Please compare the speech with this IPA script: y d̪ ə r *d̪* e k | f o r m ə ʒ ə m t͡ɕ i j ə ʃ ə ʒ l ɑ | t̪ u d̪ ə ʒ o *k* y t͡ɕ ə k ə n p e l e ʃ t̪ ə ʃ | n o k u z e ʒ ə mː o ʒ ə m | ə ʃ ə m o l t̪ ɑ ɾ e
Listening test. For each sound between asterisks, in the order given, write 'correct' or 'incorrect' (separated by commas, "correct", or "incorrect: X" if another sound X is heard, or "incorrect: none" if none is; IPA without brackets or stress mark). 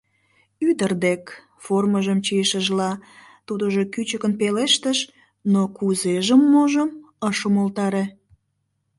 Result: correct, correct